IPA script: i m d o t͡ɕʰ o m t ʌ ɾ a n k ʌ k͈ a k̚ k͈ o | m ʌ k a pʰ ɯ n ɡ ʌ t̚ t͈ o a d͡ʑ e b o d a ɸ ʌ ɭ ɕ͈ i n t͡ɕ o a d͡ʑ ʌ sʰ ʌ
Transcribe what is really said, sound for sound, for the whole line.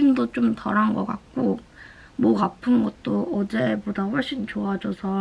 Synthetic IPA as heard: i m d o t͡ɕ o m t ʌ ɾ a n ɡ ʌ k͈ a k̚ k͈ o | m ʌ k a pʰ ɯ n ɡ ʌ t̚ t͈ o ʌ d͡ʑ e b o d a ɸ ʌ ɭ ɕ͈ i n t͡ɕ o a d͡ʑ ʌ sʰ ʌ